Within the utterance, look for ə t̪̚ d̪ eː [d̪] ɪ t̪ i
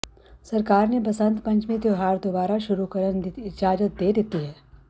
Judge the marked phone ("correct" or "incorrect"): correct